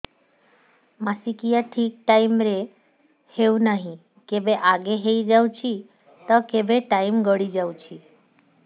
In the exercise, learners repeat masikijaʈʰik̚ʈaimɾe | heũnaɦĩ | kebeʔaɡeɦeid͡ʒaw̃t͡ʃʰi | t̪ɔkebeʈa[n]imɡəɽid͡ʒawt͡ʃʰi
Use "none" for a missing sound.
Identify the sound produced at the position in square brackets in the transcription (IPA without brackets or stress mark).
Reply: none